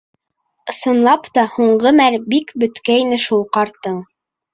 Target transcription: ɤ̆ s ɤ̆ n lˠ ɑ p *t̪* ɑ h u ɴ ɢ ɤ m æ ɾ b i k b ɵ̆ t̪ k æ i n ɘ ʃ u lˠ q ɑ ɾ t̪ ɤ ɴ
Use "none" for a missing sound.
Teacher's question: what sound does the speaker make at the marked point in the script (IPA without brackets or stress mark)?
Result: t̪